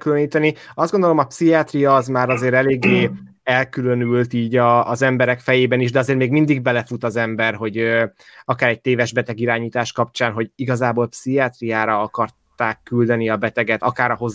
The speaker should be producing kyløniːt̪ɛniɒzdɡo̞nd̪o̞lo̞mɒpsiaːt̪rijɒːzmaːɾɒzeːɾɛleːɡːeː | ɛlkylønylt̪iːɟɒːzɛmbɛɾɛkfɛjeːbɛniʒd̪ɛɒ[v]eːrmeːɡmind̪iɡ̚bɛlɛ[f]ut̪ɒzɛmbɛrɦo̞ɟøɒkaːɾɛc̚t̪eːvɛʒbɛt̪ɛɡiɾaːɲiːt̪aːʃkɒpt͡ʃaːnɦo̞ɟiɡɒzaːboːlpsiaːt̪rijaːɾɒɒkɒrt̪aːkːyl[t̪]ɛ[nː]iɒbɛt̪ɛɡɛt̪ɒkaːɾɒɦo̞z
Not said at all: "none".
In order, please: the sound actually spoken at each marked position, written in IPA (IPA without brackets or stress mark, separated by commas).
z, f, d̪, n